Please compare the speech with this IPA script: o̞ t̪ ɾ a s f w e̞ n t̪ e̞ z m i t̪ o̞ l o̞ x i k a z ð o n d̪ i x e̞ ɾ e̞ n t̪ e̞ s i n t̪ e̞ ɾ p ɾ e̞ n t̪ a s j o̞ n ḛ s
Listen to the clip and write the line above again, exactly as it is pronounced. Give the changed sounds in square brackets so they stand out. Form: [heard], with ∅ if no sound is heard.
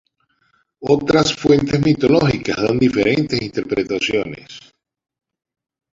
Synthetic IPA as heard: o̞ t̪ ɾ a s f w e̞ n t̪ e̞ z m i t̪ o̞ l o̞ x i k a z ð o n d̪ i [f] e̞ ɾ e̞ n t̪ e̞ s i n t̪ e̞ ɾ p ɾ e̞ [∅] t̪ a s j o̞ n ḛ s